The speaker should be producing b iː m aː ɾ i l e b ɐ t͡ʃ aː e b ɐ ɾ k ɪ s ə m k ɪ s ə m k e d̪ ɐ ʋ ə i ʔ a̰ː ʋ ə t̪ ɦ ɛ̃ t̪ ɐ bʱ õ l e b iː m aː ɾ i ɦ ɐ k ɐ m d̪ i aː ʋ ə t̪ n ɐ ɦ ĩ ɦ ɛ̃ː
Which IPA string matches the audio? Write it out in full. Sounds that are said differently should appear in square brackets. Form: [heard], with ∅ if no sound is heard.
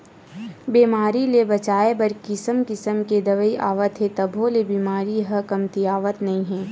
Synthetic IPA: b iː m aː ɾ i l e b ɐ t͡ʃ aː e b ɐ ɾ k ɪ s ə m k ɪ s ə m k e d̪ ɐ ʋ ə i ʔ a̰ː ʋ ə t̪ ɦ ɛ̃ t̪ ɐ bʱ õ l e b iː m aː ɾ i ɦ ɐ k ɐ m [t̪] i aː ʋ ə t̪ n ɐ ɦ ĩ ɦ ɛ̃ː